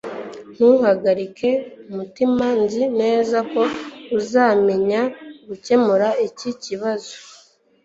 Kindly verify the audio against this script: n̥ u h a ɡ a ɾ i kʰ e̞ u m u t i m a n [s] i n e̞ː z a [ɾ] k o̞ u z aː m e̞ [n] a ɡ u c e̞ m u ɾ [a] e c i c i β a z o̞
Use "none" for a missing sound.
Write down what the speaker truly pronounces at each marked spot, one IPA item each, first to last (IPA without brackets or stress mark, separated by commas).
z, none, ɲ, a